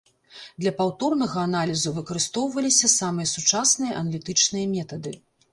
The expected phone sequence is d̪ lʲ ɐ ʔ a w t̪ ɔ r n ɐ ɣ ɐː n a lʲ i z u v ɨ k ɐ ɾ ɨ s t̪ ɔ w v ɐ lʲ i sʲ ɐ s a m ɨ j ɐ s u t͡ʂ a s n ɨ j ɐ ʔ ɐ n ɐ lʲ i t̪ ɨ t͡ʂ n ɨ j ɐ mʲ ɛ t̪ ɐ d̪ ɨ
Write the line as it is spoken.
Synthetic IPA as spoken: d̪ lʲ ɐ p a w t̪ ɔ r n ɐ ɣ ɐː n a lʲ i z u v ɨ k ɐ ɾ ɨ s t̪ ɔ w v ɐ lʲ i sʲ ɐ s a m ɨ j ɐ s u t͡ʂ a s n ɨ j ɐ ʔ ɐ n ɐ lʲ i t̪ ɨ t͡ʂ n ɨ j ɐ mʲ ɛ t̪ ɐ d̪ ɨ